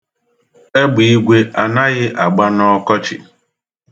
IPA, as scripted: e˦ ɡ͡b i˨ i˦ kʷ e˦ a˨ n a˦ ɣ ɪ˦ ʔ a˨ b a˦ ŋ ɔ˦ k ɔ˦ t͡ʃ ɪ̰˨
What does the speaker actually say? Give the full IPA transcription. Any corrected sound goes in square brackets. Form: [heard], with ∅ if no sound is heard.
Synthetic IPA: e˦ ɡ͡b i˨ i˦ [ɡʷ] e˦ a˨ n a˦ ɣ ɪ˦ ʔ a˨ [ɡ͡b] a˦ [n] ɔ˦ k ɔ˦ t͡ʃ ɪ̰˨